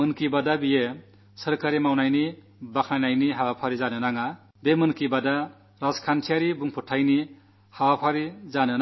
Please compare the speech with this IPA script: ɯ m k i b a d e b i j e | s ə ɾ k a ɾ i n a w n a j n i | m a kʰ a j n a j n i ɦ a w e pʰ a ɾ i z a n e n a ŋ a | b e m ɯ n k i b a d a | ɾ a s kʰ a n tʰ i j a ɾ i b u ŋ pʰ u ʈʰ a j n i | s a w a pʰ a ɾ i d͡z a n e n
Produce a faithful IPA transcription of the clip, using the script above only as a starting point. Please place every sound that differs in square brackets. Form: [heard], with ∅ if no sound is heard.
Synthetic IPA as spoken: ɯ [n] k i b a d [a] b i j e | s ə ɾ k a ɾ i [m] a w n a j n i | [b] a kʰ a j n a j n i ɦ a w [a] pʰ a ɾ i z a n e n a ŋ a | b e m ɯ n k i b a d a | ɾ a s kʰ a n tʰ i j a ɾ i b u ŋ pʰ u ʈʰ a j n i | [h] a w a pʰ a ɾ i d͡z a n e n